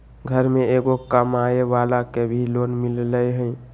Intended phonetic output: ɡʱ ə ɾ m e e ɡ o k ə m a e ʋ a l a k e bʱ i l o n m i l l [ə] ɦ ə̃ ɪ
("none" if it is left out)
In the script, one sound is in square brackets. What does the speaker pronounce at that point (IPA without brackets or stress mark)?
ə